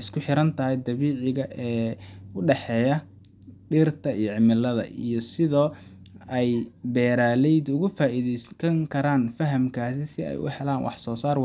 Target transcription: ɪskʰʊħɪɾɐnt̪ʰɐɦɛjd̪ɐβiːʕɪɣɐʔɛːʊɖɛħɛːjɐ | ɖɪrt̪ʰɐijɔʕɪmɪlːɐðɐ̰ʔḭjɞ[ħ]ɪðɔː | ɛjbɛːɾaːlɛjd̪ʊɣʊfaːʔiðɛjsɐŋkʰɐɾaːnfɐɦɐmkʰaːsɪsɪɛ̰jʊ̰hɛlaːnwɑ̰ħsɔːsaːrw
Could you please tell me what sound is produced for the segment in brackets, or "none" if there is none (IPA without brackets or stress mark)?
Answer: s